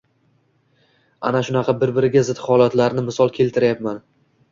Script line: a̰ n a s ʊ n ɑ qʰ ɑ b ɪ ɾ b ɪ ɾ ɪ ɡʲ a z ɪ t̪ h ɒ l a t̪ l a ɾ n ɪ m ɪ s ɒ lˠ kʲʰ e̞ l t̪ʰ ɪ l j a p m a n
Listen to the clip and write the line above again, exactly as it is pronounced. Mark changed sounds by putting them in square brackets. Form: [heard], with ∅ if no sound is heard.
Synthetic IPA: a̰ n a [ʃ] ʊ n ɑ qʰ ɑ b ɪ ɾ b ɪ ɾ ɪ ɡʲ a z ɪ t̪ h ɒ l a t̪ l a ɾ n ɪ m ɪ s ɒ lˠ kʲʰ e̞ l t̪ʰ ɪ [ɾ] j a p m a n